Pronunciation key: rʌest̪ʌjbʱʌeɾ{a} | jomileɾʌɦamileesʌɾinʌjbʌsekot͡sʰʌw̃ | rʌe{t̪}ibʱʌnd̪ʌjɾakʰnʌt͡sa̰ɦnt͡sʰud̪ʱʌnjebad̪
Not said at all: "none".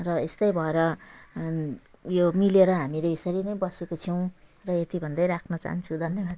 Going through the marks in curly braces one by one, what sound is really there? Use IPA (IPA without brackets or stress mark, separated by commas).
ʌ, t̪